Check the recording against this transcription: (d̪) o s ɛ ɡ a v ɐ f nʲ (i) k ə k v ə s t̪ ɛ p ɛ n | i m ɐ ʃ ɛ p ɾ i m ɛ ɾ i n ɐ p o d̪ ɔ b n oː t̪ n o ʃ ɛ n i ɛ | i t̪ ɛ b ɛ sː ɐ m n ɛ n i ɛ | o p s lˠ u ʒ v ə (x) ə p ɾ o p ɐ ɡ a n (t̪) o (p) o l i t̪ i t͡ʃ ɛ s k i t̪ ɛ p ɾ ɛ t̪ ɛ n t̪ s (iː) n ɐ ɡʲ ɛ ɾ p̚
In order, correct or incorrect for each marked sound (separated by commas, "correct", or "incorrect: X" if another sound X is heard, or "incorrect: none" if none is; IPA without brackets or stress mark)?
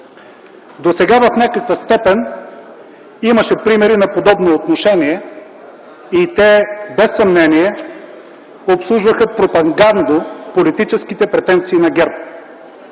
correct, incorrect: a, correct, incorrect: d̪, correct, correct